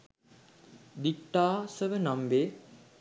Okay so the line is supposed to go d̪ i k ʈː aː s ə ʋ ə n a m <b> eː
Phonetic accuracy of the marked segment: correct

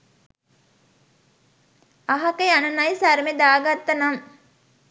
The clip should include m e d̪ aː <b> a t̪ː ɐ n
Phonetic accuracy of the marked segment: incorrect: ɡ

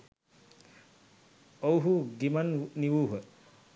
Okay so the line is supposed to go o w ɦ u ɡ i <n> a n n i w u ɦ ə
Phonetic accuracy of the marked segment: incorrect: m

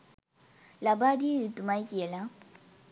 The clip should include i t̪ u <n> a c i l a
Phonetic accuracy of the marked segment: incorrect: m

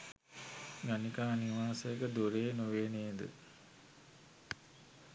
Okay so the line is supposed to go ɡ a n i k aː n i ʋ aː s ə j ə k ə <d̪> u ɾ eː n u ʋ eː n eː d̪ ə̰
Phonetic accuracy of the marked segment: correct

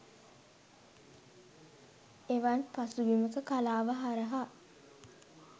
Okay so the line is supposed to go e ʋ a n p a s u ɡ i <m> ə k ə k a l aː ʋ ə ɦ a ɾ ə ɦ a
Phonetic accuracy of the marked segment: correct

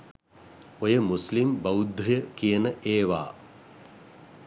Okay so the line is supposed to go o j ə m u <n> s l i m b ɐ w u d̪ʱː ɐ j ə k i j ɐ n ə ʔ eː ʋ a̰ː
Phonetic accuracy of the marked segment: incorrect: none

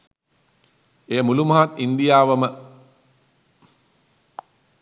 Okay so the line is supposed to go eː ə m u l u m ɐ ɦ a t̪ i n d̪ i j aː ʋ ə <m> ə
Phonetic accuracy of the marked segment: correct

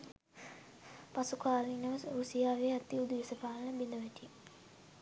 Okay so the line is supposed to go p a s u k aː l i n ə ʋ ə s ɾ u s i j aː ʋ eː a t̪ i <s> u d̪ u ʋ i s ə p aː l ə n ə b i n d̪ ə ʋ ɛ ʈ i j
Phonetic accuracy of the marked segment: incorrect: none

